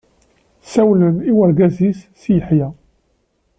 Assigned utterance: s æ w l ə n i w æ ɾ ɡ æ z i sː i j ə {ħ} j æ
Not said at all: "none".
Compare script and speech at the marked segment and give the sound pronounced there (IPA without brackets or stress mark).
ħ